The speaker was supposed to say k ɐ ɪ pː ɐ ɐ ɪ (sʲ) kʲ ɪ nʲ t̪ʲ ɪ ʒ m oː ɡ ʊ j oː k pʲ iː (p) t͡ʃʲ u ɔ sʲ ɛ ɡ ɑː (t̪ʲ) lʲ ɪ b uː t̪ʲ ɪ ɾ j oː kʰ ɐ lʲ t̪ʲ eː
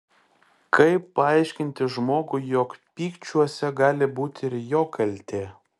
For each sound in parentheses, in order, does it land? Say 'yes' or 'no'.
no, no, no

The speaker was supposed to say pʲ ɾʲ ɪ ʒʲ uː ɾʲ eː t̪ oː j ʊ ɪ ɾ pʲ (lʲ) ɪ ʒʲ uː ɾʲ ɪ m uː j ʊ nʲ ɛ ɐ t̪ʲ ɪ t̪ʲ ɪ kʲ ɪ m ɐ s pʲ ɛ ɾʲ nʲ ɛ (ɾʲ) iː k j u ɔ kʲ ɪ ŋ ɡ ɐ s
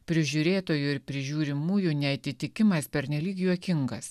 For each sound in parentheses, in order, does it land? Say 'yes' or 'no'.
no, no

